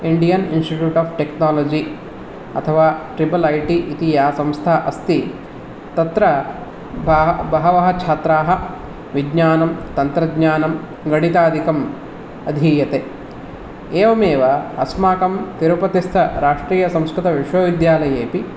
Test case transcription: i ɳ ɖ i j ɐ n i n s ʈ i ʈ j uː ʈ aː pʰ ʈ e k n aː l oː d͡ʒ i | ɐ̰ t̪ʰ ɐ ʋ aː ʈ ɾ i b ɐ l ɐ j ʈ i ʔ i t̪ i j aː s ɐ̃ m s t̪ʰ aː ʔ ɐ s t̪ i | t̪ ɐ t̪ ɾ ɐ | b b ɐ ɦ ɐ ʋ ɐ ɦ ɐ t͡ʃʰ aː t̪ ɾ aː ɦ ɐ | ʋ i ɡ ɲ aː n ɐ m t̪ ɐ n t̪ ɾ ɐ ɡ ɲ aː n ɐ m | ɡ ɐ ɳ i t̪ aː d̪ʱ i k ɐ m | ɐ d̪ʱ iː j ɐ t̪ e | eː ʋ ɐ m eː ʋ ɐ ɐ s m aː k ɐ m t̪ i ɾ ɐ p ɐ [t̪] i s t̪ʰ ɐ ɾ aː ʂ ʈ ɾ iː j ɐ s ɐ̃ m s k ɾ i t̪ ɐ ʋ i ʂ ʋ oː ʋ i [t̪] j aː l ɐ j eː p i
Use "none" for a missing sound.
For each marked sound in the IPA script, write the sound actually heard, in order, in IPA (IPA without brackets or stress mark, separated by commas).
t̪, d̪